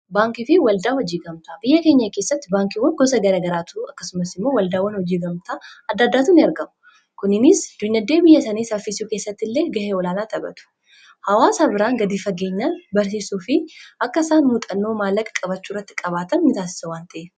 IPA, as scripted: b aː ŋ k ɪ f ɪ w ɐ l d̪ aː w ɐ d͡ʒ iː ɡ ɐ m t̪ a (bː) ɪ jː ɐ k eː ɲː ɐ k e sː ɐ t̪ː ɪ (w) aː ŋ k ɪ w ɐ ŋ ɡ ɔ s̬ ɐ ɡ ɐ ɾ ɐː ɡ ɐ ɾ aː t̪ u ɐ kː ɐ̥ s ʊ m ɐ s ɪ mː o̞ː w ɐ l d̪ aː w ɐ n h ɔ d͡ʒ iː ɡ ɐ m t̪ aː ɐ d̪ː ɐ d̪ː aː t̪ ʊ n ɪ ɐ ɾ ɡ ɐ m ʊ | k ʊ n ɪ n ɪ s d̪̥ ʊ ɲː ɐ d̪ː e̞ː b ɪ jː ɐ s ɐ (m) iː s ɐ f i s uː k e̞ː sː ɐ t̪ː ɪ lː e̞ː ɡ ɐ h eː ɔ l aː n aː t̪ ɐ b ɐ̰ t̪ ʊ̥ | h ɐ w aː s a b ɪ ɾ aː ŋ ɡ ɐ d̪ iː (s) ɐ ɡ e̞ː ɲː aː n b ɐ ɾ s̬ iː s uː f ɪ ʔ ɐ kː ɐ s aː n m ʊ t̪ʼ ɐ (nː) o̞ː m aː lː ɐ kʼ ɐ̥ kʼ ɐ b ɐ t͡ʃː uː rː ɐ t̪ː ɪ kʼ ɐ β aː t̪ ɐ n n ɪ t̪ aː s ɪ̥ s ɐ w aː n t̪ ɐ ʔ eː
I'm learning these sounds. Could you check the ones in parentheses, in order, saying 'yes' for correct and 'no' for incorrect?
no, no, no, no, yes

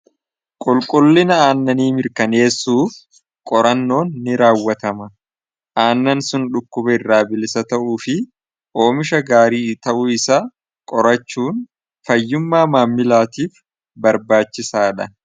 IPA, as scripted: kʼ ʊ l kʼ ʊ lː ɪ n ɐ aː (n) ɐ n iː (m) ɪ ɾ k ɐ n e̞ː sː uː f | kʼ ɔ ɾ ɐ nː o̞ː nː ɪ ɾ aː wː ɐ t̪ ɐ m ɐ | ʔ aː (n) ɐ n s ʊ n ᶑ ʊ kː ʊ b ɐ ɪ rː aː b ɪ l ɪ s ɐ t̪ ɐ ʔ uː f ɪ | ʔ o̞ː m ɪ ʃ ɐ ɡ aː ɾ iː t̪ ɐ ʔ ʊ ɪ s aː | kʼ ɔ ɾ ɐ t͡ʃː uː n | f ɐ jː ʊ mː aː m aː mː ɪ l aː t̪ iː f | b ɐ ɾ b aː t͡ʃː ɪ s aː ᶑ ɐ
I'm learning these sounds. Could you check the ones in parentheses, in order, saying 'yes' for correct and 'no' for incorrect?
no, yes, no

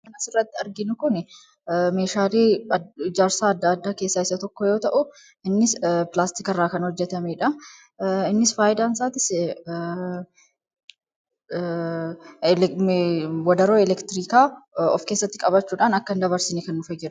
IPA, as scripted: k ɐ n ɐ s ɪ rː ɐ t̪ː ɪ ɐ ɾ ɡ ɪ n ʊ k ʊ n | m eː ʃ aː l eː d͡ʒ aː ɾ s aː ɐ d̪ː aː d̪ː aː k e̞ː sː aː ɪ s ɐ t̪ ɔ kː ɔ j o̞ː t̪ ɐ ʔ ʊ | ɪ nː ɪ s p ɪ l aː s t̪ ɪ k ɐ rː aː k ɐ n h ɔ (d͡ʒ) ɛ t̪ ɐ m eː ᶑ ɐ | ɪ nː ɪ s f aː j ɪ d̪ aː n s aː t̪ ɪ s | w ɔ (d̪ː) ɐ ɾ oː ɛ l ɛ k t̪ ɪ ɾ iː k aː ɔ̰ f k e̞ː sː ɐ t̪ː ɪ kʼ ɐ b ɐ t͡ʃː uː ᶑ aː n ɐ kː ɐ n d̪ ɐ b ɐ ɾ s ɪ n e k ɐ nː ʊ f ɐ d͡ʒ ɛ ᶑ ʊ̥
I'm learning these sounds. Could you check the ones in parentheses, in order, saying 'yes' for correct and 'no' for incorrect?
no, no

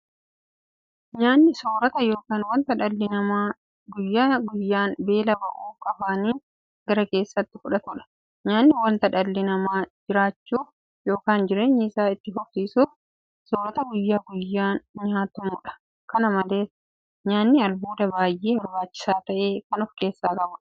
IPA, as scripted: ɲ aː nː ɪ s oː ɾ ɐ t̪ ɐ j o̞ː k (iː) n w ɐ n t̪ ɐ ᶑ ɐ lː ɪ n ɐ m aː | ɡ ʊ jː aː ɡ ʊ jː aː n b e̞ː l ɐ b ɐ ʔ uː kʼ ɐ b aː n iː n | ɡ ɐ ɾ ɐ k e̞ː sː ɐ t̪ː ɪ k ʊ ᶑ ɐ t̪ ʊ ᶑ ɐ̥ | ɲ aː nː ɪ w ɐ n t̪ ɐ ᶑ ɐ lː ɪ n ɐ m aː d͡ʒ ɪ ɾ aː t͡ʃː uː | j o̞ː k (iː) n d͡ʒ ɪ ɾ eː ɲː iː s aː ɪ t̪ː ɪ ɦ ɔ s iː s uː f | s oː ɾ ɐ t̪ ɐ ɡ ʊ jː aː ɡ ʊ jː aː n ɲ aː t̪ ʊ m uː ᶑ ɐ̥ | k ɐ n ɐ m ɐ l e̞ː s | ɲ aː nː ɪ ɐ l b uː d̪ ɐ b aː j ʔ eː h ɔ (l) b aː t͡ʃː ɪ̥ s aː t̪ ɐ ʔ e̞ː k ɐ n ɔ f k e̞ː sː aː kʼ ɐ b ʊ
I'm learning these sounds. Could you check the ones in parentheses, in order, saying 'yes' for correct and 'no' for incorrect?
no, no, no

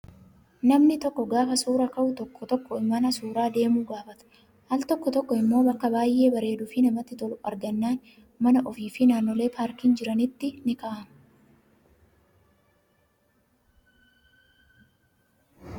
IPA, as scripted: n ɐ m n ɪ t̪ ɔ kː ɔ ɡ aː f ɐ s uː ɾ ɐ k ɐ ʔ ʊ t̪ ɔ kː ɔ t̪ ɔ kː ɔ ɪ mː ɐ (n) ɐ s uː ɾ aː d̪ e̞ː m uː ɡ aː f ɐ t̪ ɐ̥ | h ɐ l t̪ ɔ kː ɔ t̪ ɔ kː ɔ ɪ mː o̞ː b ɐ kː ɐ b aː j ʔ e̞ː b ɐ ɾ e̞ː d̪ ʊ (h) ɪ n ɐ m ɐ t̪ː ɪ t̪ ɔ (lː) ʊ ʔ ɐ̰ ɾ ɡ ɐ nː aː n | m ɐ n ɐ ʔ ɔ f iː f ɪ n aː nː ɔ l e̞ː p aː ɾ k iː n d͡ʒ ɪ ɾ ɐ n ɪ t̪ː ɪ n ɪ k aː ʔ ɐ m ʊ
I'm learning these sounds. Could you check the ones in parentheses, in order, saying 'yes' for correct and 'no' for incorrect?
yes, no, no

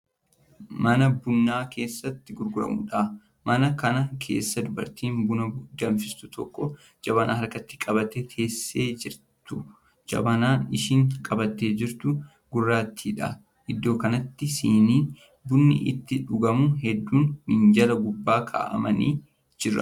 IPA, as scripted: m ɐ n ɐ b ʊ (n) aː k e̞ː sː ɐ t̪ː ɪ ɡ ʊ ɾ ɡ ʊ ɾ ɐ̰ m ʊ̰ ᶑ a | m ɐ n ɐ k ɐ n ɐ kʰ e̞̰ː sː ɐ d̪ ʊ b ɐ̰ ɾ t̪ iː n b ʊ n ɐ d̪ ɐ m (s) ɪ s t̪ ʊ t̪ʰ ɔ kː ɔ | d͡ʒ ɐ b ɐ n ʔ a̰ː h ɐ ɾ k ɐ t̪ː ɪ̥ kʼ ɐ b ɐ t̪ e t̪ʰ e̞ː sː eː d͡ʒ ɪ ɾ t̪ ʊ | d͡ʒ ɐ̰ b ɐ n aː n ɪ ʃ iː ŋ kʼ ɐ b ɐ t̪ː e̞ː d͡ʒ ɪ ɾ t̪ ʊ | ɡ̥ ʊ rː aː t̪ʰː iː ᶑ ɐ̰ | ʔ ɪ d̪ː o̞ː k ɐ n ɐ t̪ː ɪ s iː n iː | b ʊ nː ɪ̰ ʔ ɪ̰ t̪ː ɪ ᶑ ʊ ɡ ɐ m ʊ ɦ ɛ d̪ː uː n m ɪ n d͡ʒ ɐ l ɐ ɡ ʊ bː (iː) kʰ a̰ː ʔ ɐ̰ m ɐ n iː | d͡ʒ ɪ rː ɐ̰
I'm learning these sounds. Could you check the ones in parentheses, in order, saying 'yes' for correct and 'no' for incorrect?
no, no, no

